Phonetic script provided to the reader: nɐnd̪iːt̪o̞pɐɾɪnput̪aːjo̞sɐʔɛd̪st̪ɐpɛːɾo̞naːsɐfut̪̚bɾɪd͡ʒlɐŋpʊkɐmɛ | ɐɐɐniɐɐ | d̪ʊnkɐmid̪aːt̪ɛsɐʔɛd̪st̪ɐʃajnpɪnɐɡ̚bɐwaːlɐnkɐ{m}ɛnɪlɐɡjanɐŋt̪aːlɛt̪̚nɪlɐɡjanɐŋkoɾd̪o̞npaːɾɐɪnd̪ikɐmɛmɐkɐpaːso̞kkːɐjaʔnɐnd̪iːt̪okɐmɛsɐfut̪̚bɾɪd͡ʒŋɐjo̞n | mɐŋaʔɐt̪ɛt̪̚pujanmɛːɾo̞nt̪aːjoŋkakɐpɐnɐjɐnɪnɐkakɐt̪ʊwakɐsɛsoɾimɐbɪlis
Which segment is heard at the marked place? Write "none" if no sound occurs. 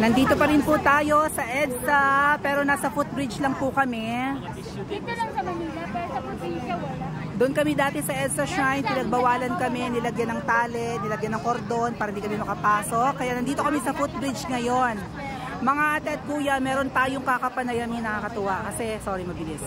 m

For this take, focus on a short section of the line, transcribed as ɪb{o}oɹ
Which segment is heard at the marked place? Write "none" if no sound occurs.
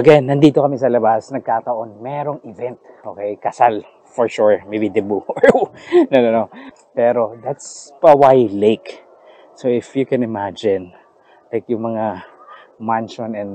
u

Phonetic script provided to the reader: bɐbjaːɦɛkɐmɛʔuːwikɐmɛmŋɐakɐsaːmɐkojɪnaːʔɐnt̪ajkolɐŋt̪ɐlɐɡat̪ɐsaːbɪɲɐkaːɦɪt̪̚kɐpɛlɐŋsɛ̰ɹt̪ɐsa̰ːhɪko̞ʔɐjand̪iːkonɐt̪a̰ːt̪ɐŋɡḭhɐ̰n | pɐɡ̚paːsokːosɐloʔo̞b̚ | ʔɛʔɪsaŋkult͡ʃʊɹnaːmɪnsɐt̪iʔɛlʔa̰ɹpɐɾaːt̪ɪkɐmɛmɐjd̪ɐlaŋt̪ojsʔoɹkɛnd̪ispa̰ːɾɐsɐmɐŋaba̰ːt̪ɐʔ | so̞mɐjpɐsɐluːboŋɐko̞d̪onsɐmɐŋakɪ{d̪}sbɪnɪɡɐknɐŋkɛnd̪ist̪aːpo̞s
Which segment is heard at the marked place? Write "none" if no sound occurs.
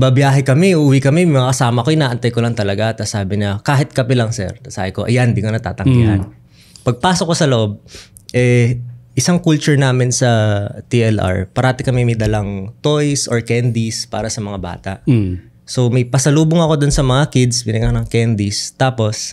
d̪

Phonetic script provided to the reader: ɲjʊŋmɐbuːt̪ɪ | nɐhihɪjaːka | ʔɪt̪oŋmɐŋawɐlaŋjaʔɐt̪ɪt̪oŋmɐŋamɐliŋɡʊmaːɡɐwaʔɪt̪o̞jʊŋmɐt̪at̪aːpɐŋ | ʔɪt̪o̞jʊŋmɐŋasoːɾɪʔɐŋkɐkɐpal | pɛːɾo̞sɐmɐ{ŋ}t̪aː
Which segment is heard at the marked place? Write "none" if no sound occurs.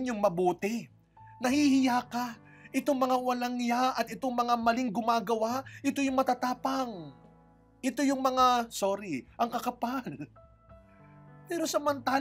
n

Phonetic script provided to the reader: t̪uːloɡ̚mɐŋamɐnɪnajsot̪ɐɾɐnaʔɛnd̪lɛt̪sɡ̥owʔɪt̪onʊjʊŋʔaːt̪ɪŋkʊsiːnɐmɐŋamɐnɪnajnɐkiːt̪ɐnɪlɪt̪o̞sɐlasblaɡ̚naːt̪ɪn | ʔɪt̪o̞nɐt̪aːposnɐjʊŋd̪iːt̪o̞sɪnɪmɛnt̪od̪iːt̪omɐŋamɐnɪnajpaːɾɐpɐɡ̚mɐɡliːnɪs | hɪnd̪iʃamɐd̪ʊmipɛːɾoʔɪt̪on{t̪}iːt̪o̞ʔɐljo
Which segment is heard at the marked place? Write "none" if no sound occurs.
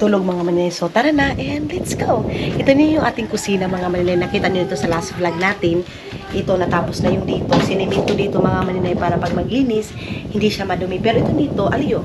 d̪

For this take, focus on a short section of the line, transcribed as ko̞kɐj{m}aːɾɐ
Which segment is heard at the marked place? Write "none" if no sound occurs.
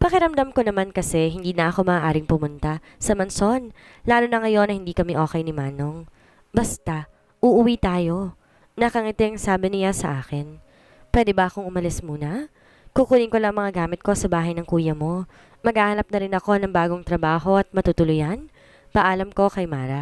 m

